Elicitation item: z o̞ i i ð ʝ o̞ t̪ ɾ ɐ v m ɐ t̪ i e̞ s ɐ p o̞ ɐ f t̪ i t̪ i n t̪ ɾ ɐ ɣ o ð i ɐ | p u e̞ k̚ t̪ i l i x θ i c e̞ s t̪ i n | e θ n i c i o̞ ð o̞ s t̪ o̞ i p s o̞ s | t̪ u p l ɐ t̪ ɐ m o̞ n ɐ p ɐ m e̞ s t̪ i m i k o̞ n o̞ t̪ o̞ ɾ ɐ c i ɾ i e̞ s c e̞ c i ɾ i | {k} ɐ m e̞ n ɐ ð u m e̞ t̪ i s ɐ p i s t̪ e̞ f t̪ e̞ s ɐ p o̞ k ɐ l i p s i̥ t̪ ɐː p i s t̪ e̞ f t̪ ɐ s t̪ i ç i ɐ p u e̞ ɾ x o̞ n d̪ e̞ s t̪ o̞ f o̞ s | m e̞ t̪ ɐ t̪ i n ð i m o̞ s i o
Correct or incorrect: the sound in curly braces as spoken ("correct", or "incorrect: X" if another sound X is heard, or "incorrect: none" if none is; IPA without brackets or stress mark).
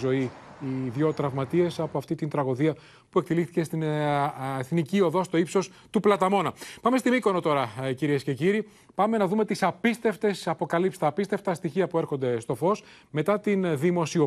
incorrect: p